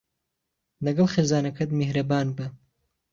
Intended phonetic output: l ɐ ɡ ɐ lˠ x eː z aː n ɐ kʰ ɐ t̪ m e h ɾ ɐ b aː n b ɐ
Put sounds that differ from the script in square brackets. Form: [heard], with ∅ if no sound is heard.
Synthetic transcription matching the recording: l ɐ ɡ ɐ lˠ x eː z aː n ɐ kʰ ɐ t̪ m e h ɾ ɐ b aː n b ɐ